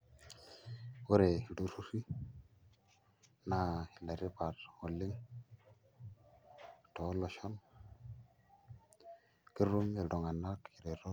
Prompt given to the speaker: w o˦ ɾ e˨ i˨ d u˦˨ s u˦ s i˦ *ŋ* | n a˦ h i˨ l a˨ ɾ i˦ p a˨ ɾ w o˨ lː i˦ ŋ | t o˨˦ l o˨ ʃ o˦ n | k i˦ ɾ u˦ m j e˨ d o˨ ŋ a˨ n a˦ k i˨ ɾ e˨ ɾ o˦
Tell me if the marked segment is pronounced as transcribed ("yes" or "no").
no